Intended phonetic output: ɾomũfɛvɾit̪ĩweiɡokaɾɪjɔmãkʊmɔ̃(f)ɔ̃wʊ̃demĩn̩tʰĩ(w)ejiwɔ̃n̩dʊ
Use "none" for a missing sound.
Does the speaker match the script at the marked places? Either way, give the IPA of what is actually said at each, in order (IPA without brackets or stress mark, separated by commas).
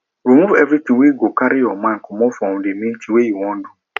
f, w